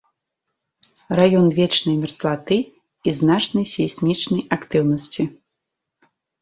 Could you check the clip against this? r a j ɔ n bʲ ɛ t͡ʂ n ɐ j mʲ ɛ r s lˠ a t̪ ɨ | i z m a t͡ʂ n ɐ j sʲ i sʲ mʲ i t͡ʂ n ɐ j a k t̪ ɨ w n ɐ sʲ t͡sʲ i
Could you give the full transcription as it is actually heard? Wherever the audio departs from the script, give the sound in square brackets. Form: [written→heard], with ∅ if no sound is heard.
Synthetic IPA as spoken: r a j ɔ n [bʲ→vʲ] ɛ t͡ʂ n ɐ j mʲ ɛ r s lˠ a t̪ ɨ | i z [m→n] a t͡ʂ n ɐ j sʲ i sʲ mʲ i t͡ʂ n ɐ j a k t̪ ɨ w n ɐ sʲ t͡sʲ i